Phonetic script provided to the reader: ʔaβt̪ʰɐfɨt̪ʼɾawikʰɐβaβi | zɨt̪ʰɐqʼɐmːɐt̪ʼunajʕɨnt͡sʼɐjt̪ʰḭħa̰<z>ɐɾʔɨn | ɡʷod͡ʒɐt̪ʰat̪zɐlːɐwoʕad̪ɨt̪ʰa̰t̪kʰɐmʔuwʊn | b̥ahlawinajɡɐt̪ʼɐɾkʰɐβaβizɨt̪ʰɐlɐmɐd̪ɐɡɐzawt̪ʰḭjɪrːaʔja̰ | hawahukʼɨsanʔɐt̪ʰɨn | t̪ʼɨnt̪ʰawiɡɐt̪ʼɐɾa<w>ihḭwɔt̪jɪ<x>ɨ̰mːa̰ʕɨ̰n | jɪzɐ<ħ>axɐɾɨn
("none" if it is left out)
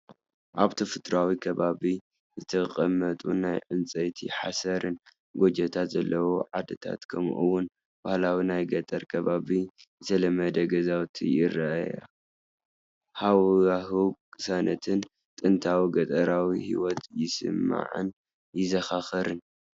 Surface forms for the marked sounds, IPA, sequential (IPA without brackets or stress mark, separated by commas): s, w, s, x